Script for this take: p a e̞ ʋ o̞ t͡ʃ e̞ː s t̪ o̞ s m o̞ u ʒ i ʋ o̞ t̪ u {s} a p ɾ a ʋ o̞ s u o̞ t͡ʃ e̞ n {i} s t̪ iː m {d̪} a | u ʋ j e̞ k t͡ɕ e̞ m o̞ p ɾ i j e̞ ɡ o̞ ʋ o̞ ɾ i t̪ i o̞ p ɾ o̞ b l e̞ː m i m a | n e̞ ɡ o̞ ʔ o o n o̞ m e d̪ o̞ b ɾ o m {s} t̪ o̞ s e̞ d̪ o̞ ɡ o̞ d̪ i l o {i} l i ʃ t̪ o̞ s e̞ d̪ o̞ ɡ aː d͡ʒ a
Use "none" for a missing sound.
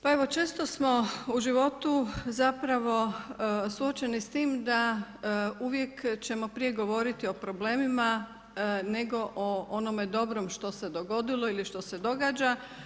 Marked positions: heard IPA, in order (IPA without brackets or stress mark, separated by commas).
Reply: z, i, d̪, ʃ, i